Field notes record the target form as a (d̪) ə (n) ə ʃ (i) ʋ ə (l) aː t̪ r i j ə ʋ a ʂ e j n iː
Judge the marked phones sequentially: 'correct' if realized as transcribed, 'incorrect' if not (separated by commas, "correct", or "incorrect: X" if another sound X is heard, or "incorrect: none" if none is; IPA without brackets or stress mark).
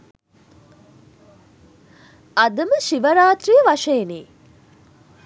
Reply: correct, incorrect: m, correct, incorrect: ɾ